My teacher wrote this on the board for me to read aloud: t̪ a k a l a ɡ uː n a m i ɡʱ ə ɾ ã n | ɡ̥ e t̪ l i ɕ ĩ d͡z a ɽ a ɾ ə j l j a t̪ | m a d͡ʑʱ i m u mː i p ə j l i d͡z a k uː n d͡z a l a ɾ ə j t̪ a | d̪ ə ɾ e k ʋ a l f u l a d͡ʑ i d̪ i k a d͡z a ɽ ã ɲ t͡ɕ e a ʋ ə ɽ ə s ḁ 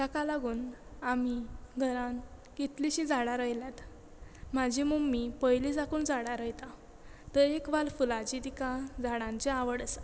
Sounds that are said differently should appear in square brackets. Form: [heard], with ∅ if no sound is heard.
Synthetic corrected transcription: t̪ a k a l a ɡ uː n a m i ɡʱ ə ɾ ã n | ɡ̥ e t̪ l i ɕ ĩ d͡z a ɽ a ɾ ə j l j a t̪ | m a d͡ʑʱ i m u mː i p ə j l i d͡z a k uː n d͡z a [ɽ] a ɾ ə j t̪ a | [t̪] ə ɾ e k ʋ a l f u l a d͡ʑ i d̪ i k a d͡z a ɽ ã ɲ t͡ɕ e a ʋ ə ɽ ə s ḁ